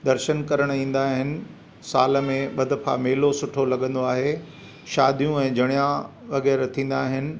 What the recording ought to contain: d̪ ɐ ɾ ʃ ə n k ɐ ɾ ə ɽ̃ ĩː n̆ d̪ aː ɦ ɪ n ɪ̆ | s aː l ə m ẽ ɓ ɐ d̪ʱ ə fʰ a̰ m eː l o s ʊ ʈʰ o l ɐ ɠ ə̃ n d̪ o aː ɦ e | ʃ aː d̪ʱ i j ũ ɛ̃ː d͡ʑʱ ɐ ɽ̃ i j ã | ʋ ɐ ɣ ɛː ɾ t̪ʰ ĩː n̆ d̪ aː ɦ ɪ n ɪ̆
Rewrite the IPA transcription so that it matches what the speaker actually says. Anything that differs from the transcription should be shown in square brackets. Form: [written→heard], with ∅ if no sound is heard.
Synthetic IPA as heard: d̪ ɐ ɾ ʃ ə n k ɐ ɾ ə ɽ̃ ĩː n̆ d̪ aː ɦ ɪ n ɪ̆ | s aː l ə m ẽ ɓ ɐ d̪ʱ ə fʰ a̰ m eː l o s ʊ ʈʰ o l ɐ ɠ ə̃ n d̪ o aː ɦ e | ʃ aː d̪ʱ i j ũ ɛ̃ː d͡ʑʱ ɐ ɽ̃ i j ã | ʋ ɐ ɣ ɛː ɾ t̪ʰ ĩː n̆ d̪ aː ɦ ɪ n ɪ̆

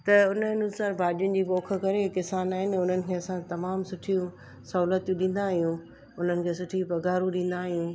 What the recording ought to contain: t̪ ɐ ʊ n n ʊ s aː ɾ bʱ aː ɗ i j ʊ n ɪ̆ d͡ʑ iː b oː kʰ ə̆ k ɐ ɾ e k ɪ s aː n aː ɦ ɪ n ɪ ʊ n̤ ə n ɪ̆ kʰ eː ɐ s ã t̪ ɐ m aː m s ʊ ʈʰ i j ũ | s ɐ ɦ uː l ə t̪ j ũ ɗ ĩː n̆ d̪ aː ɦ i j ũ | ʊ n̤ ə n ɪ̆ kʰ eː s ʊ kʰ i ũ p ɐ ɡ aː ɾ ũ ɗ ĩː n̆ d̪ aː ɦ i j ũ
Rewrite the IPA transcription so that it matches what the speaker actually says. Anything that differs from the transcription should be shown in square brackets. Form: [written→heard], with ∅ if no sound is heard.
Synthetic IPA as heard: t̪ ɐ ʊ n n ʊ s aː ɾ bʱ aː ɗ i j ʊ n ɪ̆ d͡ʑ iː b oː kʰ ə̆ k ɐ ɾ e k ɪ s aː n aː ɦ ɪ n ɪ ʊ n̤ ə n ɪ̆ kʰ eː ɐ s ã t̪ ɐ m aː m s ʊ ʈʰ i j ũ | s ɐ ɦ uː l ə t̪ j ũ ɗ ĩː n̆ d̪ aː ɦ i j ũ | ʊ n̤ ə n ɪ̆ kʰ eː s ʊ [kʰ→ʈʰ] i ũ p ɐ ɡ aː ɾ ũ ɗ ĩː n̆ d̪ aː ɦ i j ũ

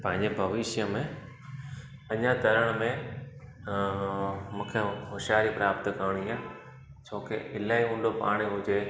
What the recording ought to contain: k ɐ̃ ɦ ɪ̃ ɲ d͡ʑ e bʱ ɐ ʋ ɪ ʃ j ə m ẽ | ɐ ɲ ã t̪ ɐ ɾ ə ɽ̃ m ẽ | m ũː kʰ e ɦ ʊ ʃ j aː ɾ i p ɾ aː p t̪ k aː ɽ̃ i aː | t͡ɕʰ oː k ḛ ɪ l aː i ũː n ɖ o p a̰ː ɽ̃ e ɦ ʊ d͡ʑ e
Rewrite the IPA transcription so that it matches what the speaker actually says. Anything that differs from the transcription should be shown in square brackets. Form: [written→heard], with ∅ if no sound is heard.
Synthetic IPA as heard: [k→p] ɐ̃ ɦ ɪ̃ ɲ d͡ʑ e bʱ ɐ ʋ ɪ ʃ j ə m ẽ | ɐ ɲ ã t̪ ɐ ɾ ə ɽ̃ m ẽ | m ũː kʰ e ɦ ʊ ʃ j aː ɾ i p ɾ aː p t̪ k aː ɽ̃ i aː | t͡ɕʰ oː k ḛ ɪ l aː i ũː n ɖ o p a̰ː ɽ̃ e ɦ ʊ d͡ʑ e

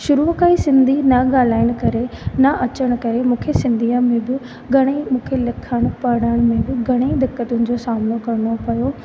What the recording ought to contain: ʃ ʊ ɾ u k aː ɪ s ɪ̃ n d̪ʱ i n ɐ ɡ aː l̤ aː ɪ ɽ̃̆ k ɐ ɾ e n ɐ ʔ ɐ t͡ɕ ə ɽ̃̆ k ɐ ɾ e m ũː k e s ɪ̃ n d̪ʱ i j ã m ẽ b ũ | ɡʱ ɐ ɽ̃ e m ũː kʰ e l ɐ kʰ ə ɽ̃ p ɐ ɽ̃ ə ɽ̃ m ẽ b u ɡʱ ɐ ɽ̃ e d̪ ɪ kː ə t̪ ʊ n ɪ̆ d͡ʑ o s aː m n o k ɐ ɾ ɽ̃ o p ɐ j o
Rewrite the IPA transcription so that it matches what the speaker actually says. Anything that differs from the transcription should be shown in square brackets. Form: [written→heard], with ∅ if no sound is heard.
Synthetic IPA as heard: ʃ ʊ ɾ u k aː [ɪ→i] s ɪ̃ n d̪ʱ i n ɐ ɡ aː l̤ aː ɪ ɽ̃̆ k ɐ ɾ e n ɐ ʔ ɐ t͡ɕ ə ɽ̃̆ k ɐ ɾ e m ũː [k→kʰ] e s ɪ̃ n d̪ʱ i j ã m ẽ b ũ | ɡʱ ɐ ɽ̃ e m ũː kʰ e l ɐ kʰ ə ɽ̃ p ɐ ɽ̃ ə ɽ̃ m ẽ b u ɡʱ ɐ ɽ̃ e d̪ ɪ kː ə t̪ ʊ n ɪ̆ d͡ʑ o s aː m n o k ɐ ɾ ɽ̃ o p ɐ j o

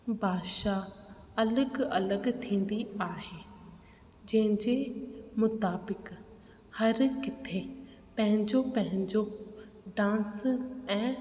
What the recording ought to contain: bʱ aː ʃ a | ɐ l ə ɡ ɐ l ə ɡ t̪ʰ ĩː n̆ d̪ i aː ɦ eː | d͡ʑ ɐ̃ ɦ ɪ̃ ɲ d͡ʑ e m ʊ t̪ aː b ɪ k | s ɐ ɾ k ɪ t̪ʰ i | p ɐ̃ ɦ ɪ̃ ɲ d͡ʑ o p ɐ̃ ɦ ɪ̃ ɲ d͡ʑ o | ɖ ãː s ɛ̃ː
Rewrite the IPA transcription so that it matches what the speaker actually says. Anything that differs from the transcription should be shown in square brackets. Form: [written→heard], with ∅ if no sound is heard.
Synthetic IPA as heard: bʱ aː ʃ a | ɐ l ə ɡ ɐ l ə ɡ t̪ʰ ĩː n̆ d̪ i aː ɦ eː | d͡ʑ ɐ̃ ɦ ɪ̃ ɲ d͡ʑ e m ʊ t̪ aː b ɪ k | [s→h] ɐ ɾ k ɪ t̪ʰ [i→e] | p ɐ̃ ɦ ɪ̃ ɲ d͡ʑ o p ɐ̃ ɦ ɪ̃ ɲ d͡ʑ o | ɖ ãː s ɛ̃ː

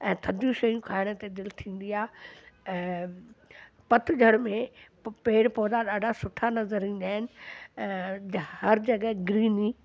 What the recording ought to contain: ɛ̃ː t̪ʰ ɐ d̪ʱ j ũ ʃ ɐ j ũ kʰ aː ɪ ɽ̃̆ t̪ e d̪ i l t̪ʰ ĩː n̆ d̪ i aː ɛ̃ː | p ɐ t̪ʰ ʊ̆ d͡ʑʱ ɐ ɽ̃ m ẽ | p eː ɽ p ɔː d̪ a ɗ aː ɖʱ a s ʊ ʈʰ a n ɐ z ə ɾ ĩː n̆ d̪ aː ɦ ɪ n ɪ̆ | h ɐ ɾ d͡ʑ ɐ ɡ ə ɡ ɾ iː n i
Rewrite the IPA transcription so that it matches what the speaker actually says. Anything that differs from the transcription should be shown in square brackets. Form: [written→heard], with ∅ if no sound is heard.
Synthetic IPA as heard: ɛ̃ː t̪ʰ ɐ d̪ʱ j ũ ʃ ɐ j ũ kʰ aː ɪ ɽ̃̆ t̪ e d̪ [i→ɪ] l t̪ʰ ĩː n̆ d̪ i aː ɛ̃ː | p ɐ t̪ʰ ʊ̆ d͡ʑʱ ɐ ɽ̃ m ẽ | p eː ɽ p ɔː d̪ a ɗ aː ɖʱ a s ʊ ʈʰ a n ɐ z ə ɾ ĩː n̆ d̪ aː ɦ ɪ n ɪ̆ | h ɐ ɾ d͡ʑ ɐ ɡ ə ɡ ɾ iː n i

